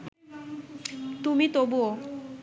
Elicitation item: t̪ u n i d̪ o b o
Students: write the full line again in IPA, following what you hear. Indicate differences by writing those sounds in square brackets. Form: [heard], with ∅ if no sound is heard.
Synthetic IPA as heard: t̪ u [m] i [t̪] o b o